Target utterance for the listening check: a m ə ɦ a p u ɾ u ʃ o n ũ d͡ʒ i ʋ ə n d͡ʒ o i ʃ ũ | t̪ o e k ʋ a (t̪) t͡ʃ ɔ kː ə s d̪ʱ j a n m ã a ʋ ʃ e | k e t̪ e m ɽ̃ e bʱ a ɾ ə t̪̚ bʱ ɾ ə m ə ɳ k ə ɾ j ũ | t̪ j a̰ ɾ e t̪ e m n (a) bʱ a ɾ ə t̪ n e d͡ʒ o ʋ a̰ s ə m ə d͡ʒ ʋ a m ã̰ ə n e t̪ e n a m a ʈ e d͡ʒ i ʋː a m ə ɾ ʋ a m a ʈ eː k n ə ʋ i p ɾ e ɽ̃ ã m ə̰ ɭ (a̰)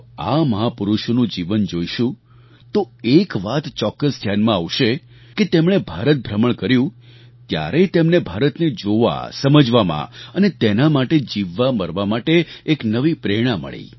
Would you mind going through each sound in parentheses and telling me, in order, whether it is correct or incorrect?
correct, incorrect: e, incorrect: ḭ

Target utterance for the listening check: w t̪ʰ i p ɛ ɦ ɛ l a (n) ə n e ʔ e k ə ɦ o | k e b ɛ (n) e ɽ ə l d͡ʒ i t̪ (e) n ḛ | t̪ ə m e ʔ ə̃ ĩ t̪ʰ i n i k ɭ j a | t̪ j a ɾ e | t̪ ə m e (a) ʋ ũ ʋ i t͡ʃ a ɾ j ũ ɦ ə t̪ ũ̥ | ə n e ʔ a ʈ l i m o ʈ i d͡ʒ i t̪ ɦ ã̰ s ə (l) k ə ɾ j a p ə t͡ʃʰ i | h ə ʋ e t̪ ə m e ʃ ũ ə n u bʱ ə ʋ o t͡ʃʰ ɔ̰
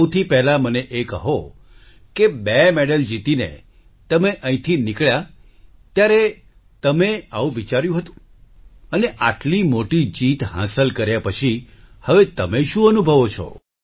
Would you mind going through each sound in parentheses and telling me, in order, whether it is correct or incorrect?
incorrect: m, incorrect: m, incorrect: i, correct, correct

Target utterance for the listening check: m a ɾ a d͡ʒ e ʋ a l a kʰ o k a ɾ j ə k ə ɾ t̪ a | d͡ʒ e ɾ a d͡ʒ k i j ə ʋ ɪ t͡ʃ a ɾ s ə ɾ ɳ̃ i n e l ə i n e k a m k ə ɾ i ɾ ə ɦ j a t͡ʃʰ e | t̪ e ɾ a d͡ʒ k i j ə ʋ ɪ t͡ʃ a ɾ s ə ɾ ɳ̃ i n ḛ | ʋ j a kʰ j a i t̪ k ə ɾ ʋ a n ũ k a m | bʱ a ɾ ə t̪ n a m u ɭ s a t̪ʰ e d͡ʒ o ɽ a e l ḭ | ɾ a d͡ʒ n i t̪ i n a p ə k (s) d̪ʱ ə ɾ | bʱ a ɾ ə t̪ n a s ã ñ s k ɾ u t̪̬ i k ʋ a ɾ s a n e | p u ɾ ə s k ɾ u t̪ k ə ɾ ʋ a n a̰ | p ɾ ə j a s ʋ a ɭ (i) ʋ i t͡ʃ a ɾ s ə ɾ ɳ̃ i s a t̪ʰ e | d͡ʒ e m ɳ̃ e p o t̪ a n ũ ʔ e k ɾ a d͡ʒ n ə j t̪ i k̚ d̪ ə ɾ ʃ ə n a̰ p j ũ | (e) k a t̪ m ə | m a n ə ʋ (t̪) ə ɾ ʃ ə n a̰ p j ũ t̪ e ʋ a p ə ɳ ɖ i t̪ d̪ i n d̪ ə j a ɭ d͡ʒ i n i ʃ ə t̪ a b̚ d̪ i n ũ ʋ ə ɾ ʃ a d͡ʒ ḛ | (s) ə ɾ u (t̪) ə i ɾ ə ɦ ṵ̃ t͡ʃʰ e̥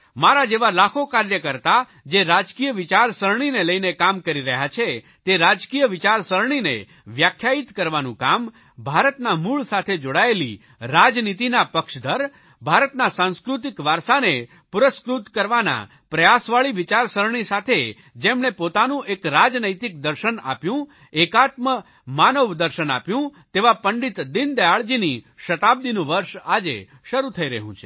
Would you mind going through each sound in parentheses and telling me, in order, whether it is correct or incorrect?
incorrect: ʃ, correct, correct, incorrect: d̪, incorrect: ʃ, incorrect: t̪ʰ

